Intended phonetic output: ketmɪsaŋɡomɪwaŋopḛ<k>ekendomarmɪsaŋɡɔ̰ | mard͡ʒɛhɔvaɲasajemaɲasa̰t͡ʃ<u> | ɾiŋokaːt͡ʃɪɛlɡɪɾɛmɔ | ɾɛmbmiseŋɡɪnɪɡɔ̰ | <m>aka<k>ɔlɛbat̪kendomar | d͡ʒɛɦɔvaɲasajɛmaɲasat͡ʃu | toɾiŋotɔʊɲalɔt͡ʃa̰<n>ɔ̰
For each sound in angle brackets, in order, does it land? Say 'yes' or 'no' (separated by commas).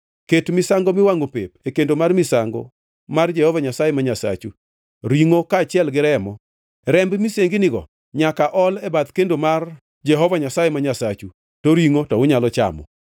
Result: no, yes, no, no, no